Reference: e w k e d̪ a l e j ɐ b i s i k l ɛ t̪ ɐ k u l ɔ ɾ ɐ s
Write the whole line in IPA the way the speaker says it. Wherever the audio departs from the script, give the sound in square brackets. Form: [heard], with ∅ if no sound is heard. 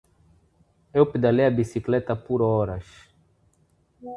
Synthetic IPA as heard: e w [p] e d̪ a l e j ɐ b i s i k l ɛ t̪ ɐ [p] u [ɾ] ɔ ɾ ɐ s